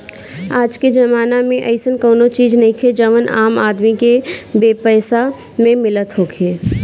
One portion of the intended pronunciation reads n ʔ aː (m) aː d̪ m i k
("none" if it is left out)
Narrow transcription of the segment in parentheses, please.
m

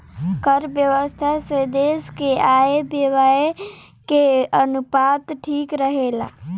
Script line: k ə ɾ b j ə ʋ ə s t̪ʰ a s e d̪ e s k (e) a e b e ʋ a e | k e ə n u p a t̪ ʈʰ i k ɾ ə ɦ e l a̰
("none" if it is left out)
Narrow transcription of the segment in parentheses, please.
e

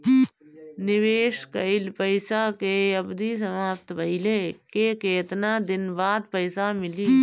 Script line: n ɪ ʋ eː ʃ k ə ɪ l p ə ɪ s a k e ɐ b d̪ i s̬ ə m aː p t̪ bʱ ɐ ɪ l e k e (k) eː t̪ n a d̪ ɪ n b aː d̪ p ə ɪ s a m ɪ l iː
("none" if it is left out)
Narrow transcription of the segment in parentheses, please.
k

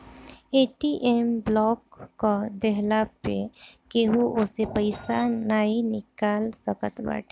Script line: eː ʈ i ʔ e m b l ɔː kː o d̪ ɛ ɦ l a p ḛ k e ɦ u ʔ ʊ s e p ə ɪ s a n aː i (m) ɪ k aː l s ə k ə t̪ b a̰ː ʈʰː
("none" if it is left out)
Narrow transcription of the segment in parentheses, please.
n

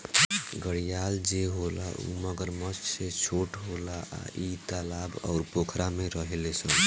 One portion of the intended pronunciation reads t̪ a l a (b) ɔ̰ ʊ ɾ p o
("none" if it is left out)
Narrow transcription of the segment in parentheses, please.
b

